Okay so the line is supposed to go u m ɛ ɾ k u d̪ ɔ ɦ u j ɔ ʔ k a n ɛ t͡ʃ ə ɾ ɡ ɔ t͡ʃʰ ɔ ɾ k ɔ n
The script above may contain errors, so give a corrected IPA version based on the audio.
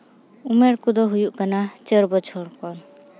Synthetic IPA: u m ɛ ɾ k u d̪ ɔ ɦ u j u ʔ k a n a t͡ʃ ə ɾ b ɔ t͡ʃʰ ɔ ɾ k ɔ n